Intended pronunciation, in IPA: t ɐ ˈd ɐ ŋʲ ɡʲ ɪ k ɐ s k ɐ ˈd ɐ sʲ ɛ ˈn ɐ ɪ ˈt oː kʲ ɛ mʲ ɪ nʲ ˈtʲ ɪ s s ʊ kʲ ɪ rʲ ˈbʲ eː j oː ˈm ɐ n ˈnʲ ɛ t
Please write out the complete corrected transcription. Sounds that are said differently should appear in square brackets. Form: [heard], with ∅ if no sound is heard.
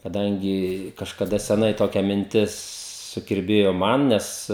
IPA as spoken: [k] ɐ ˈd ɐ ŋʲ ɡʲ ɪ k ɐ [ʃ] k ɐ ˈd ɐ sʲ ɛ ˈn ɐ ɪ ˈt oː kʲ ɛ mʲ ɪ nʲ ˈtʲ ɪ s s ʊ kʲ ɪ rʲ ˈbʲ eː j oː ˈm ɐ n ˈnʲ ɛ [s]